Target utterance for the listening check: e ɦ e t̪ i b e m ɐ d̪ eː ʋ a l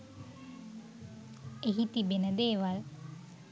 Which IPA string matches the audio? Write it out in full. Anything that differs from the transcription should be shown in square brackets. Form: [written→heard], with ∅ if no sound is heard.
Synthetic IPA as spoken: e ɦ [e→i] t̪ i b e [m→n] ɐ d̪ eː ʋ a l

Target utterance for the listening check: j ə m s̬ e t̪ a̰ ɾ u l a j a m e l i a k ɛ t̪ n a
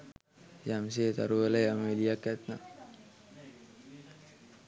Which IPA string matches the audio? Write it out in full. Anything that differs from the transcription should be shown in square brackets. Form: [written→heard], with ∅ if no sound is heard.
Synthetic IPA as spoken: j [ə→a] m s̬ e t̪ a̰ ɾ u l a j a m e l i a k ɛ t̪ n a

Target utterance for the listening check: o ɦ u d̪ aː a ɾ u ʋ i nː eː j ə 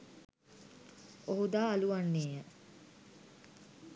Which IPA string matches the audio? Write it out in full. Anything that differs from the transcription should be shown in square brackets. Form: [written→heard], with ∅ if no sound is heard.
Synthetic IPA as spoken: o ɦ u d̪ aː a [ɾ→l] u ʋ [i→a] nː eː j ə

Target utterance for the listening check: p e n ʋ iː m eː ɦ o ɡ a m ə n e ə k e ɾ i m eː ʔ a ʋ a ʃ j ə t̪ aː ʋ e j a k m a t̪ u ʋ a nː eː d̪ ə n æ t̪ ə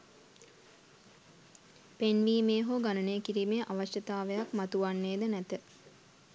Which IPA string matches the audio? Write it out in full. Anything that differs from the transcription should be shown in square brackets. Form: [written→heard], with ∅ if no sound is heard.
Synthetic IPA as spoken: p e n ʋ iː m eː ɦ o ɡ a [m→n] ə n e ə k [e→i] ɾ i m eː ʔ a ʋ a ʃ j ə t̪ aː ʋ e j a k m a t̪ u ʋ a nː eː d̪ ə n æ t̪ ə

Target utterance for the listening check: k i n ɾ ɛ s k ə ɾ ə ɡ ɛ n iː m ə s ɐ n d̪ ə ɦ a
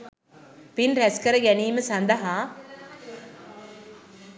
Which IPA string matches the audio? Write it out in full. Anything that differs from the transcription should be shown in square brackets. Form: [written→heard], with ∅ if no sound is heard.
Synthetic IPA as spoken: [k→p] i n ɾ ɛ s k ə ɾ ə ɡ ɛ n iː m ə s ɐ n d̪ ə ɦ a

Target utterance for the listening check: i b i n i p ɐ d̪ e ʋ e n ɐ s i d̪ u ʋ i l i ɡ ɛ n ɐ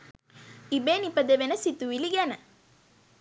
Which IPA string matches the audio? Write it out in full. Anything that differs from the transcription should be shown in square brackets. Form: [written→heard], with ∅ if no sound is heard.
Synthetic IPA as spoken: i b [i→e] n i p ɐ d̪ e ʋ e n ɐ s i [d̪→t̪] u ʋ i l i ɡ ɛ n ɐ

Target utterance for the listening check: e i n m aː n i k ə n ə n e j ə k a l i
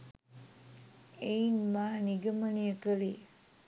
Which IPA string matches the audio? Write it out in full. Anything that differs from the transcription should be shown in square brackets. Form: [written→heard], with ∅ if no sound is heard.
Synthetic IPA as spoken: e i n m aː n i [k→ɡ] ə [n→m] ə n [e→i] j ə k [a→ə] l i

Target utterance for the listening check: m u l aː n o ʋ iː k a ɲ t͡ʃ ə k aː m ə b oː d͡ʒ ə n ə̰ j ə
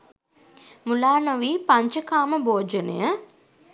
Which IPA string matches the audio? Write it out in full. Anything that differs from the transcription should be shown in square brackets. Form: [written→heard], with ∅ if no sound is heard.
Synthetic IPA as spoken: m u l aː n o ʋ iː [k→p] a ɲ t͡ʃ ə k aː m ə b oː d͡ʒ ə n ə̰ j ə

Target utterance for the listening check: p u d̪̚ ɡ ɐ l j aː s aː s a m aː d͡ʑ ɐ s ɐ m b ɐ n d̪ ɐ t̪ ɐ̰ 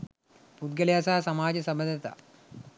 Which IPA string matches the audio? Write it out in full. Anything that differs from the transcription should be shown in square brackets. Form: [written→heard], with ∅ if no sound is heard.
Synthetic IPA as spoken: p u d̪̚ ɡ ɐ l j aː s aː s [a→ɐ] m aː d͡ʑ ɐ s ɐ m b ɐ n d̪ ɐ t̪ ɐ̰

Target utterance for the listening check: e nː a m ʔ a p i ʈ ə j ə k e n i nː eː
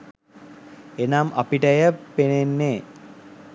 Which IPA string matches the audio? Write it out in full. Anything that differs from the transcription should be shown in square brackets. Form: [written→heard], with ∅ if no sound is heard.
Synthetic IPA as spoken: e [nː→n] a m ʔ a p i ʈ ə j ə [k→p] e n [i→e] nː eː

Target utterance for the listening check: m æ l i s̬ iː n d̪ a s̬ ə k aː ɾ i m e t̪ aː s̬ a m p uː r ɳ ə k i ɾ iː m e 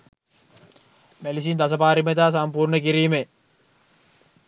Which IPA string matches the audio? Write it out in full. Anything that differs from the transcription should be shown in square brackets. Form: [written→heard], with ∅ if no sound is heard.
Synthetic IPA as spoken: m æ l i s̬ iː n d̪ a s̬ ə [k→p] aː ɾ i m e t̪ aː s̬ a m p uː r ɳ ə k i ɾ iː m e

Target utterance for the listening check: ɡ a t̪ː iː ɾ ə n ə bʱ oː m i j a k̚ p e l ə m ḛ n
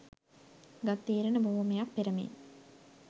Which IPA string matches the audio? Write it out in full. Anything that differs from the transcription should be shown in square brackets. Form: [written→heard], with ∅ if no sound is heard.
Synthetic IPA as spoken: ɡ a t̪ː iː ɾ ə n ə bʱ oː m [i→e] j a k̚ p e [l→ɾ] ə m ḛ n

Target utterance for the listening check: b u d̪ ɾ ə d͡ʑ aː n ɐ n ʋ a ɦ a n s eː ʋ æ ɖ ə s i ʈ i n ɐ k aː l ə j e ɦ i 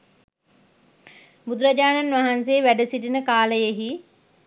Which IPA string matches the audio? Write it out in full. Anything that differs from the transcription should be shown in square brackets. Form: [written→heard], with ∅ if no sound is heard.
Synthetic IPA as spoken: b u d̪ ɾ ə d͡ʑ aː n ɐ n ʋ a ɦ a n s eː ʋ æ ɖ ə s i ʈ i n [ɐ→ə] k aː l ə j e ɦ i

